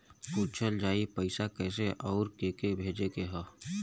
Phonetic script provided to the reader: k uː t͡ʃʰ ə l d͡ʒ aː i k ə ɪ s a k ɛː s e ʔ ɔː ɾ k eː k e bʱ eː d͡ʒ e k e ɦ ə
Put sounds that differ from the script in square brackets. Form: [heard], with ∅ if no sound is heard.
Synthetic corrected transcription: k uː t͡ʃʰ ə l d͡ʒ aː i [p] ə ɪ s a k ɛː s e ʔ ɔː ɾ k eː k e bʱ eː d͡ʒ e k e ɦ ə